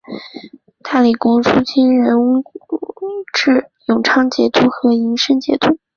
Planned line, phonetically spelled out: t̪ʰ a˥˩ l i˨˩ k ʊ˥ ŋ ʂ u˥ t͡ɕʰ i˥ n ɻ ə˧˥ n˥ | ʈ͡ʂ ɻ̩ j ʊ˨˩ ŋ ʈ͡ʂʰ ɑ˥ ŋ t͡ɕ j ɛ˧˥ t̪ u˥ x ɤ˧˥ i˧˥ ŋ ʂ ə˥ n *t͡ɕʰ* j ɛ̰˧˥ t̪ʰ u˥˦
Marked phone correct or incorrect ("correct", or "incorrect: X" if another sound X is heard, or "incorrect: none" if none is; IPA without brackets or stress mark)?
incorrect: t͡ɕ